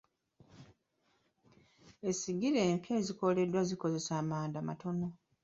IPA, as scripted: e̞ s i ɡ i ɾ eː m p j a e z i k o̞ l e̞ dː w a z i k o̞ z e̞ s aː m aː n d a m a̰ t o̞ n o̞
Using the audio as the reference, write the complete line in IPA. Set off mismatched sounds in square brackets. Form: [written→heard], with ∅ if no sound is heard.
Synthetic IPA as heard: e̞ s i ɡ i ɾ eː m p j a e z i k o̞ l e̞ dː w a z i k o̞ z e̞ s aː m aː n d a m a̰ t o̞ n o̞